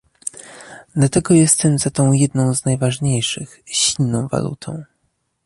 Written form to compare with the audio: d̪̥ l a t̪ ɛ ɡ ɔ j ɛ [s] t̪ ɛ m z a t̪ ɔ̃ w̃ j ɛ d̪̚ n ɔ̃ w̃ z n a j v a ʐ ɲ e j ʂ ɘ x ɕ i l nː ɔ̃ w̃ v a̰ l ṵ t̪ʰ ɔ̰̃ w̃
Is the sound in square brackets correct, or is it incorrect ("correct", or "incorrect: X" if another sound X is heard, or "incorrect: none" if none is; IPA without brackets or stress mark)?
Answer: correct